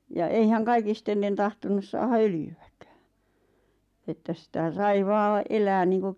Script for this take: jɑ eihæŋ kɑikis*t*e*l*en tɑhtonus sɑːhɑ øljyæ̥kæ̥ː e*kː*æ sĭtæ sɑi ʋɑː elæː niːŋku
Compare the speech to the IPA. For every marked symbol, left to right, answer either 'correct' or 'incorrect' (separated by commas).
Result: correct, incorrect, incorrect